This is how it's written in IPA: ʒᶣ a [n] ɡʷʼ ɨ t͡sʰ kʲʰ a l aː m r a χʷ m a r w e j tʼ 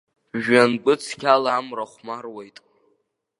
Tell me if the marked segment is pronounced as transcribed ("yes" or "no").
yes